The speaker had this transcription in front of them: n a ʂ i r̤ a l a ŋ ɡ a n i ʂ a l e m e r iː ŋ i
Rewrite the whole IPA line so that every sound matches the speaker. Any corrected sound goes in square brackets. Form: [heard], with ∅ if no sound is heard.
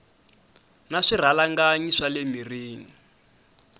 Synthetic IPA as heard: n a ʂ i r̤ a l a ŋ ɡ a [ɲ] i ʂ a l e m [i] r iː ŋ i